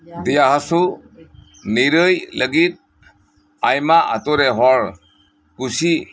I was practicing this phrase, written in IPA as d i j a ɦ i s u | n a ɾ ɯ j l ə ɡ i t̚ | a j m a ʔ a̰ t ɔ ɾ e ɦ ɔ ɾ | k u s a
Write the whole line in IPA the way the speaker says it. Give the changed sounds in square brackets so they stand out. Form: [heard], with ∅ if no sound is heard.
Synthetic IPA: d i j a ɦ [a] s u | n [i] ɾ ɯ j l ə ɡ i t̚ | a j m a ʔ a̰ t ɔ ɾ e ɦ ɔ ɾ | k u s [i]